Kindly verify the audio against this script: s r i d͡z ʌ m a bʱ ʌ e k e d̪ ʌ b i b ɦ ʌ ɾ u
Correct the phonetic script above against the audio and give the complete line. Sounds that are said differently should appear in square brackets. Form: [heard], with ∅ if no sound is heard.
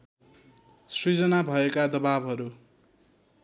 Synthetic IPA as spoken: s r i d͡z ʌ [n] a bʱ ʌ e k [a] d̪ ʌ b [a] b ɦ ʌ ɾ u